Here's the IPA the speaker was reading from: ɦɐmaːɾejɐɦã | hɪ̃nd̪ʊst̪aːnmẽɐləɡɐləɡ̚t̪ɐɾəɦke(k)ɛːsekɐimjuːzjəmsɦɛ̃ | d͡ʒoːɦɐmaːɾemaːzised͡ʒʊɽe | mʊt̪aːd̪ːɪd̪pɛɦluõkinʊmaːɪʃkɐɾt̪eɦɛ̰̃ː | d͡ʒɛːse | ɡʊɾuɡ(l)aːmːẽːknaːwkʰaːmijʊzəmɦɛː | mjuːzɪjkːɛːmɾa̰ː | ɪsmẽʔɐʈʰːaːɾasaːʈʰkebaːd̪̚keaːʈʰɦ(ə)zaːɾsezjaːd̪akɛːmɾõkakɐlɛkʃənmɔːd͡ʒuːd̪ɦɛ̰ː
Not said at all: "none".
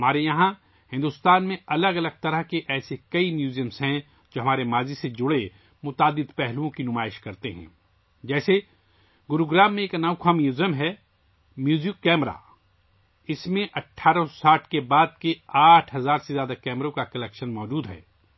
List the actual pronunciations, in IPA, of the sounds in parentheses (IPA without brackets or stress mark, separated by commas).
ʔ, ɾ, ɐ